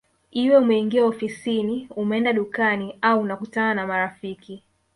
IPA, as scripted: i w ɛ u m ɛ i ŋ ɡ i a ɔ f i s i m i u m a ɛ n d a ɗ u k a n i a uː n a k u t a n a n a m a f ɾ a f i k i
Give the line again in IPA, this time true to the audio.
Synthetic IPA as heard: i w ɛ u m ɛ i ŋ ɡ i a ɔ f i s i n i u m ɛ ɛ n d a ɗ u k a n i a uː n a k u t a n a n a m a ɾ a f i k i